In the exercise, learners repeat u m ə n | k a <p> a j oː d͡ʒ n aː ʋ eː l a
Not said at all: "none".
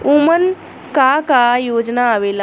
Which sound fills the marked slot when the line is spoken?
k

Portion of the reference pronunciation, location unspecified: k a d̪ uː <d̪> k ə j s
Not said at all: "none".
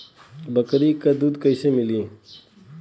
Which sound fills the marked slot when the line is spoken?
d̪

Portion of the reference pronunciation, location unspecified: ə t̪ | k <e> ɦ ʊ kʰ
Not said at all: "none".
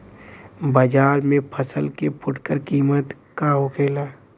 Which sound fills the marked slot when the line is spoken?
a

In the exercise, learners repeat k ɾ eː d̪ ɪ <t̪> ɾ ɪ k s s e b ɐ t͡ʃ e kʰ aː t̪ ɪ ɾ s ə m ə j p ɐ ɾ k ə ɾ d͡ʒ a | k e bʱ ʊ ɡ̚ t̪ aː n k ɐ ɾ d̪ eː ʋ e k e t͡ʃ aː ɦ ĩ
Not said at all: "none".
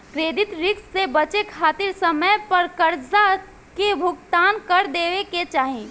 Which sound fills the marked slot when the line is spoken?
t̪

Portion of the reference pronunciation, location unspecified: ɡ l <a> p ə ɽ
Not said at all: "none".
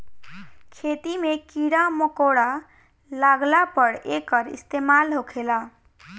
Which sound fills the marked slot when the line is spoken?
a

